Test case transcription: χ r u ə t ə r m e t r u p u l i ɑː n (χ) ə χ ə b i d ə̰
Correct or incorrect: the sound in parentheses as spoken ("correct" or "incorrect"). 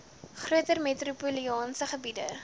incorrect